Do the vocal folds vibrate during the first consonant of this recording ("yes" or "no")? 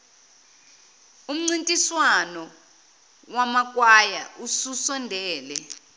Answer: yes